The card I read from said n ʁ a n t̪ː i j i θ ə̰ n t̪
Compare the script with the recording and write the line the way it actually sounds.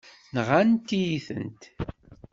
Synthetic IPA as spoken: n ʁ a n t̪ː i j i θ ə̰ n t̪